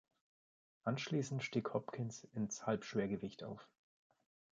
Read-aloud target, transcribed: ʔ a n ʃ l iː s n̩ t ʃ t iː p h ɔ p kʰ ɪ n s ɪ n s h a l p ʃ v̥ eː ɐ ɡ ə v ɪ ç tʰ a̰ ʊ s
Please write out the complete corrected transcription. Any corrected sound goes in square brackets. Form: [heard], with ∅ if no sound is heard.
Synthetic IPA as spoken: ʔ a n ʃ l iː s n̩ t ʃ t iː [k] h ɔ p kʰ ɪ n s ɪ n s h a l p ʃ v̥ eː ɐ ɡ ə v ɪ ç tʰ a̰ ʊ [f]